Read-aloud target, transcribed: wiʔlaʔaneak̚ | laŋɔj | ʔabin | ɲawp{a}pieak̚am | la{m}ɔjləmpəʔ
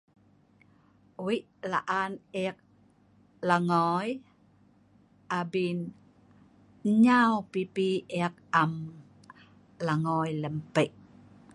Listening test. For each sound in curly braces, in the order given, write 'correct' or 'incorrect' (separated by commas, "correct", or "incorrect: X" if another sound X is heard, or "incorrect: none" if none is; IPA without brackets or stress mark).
incorrect: i, incorrect: ŋ